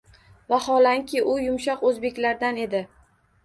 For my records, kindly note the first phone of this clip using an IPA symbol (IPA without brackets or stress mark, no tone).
v